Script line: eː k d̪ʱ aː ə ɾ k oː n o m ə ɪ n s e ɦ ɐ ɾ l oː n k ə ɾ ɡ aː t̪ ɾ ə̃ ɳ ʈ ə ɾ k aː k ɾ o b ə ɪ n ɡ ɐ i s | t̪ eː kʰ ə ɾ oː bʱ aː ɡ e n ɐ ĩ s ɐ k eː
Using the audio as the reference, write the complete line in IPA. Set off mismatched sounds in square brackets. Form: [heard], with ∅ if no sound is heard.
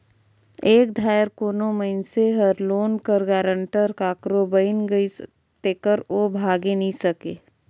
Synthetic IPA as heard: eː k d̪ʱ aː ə ɾ k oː n o m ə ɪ n s e ɦ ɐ ɾ l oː n k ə ɾ ɡ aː [∅] ɾ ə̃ ɳ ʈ ə ɾ k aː k ɾ o b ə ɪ n ɡ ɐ i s | t̪ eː [k] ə ɾ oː bʱ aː ɡ e n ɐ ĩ s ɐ k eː